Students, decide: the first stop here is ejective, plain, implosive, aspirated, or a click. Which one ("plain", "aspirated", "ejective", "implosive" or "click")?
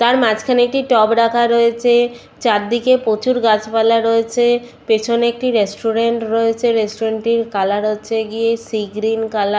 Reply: plain